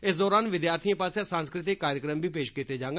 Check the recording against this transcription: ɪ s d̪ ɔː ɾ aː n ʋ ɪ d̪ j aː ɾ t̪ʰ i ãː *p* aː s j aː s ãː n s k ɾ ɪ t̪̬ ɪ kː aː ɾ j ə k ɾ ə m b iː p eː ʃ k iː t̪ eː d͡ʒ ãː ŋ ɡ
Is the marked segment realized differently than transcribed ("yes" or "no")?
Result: no